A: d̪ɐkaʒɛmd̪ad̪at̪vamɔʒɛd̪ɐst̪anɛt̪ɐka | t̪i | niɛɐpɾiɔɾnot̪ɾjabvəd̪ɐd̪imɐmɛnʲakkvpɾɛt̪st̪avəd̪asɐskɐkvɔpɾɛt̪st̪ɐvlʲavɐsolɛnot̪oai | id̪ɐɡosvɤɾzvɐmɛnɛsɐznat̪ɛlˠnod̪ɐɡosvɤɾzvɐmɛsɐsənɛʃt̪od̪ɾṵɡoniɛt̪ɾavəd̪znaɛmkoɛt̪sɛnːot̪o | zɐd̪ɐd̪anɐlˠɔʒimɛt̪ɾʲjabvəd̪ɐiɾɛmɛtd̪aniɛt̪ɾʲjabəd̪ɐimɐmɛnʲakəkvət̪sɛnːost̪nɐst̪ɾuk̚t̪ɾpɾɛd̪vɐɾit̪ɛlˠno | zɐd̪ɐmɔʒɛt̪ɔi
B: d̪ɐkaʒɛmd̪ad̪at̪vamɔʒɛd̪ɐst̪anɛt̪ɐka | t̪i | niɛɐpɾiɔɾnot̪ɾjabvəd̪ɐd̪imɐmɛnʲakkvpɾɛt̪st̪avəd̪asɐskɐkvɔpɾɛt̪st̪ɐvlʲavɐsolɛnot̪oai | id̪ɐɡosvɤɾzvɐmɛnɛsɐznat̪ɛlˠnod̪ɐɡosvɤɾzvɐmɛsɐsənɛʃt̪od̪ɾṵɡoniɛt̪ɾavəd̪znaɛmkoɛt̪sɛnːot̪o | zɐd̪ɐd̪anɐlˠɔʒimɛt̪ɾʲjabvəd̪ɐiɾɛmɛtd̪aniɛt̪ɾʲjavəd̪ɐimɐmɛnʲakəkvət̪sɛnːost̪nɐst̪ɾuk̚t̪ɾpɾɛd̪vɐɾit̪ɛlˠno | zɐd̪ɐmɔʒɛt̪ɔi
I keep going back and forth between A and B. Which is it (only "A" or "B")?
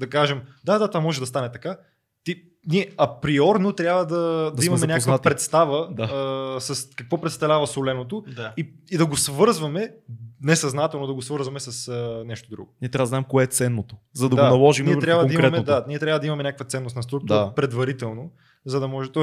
B